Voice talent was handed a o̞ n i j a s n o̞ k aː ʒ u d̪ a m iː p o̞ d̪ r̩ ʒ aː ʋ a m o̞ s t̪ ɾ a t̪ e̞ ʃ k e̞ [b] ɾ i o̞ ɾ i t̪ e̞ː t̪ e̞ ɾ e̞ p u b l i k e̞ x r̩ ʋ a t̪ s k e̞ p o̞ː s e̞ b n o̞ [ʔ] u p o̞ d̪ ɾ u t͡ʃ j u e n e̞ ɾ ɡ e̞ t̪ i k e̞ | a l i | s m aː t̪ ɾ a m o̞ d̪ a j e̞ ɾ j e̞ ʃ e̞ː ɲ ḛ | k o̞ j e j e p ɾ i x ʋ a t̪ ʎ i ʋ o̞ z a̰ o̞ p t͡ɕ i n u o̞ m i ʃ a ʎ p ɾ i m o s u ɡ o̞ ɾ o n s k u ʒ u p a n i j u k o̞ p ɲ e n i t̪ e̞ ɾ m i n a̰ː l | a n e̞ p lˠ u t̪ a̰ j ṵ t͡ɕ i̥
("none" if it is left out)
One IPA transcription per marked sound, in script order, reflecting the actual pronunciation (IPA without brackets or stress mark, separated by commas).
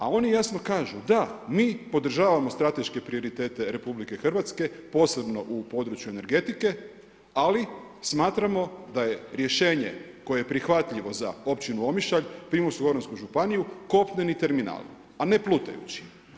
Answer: p, ʔ